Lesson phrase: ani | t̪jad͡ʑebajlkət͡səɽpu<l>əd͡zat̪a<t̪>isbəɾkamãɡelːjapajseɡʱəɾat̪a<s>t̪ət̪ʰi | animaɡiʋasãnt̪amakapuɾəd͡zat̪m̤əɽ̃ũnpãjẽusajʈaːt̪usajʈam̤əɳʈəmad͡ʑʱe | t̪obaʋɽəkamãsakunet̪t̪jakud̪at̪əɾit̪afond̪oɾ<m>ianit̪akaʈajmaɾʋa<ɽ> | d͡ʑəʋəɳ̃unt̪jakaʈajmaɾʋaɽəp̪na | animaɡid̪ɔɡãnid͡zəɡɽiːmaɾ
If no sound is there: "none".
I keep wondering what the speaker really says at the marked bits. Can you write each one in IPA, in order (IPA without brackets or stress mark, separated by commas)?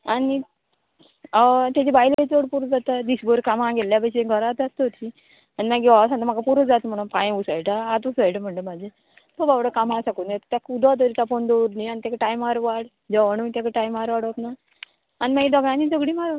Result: ɾ, d̪, s, n, ɽ